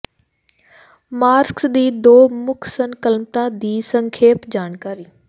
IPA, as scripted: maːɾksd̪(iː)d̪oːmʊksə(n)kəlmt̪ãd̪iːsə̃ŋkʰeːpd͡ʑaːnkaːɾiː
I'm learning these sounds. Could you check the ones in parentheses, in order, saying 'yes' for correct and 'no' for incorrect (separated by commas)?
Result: yes, yes